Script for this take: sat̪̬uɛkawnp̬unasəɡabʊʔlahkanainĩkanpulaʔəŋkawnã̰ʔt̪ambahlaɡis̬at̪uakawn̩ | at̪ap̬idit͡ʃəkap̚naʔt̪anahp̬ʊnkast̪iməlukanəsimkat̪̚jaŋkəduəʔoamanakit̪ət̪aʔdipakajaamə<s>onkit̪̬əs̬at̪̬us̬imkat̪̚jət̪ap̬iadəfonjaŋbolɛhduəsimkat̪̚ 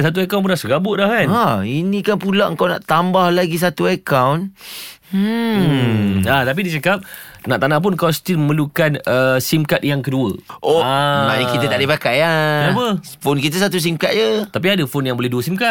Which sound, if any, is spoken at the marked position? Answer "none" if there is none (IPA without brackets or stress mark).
f